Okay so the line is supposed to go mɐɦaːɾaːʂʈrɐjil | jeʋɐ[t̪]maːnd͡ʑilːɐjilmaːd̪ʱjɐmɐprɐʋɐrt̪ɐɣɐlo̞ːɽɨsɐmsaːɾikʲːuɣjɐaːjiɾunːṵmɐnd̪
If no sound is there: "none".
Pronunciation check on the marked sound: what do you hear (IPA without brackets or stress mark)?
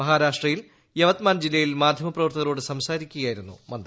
t̪